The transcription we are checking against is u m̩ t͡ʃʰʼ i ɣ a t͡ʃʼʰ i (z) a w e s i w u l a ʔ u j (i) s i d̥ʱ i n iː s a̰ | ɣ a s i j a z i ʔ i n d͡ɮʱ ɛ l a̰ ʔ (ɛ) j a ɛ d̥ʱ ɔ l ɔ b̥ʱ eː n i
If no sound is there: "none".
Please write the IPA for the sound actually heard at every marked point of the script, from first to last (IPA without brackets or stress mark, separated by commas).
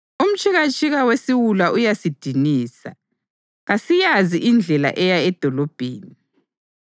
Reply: ɣ, a, ɛ